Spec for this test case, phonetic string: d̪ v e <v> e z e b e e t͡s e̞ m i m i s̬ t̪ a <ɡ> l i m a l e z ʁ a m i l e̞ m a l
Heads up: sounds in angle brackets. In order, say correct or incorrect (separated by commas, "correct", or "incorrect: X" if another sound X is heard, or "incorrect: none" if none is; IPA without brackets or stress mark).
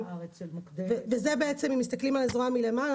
correct, incorrect: k